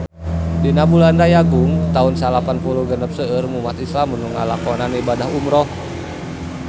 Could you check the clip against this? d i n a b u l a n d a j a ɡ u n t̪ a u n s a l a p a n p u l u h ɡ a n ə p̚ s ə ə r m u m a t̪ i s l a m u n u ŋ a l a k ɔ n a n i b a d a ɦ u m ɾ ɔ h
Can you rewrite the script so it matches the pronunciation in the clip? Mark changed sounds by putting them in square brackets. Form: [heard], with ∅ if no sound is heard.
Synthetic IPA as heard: d i n a b u l a n d a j a ɡ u [ŋ] t̪ a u n s a l a p a n p u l u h ɡ [ə] n ə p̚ s ə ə r m u m a t̪ i s l a m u n u ŋ a l a k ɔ n a n i b a d a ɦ u m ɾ ɔ h